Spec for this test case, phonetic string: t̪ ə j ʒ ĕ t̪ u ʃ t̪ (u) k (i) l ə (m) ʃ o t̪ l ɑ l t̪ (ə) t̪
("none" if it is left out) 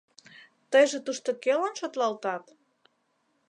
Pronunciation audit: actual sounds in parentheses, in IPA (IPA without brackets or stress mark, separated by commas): o, e, n, ɑ